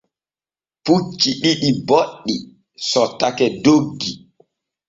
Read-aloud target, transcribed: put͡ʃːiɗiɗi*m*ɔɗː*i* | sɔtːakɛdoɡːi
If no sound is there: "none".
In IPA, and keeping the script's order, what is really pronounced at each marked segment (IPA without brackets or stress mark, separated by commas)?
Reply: b, i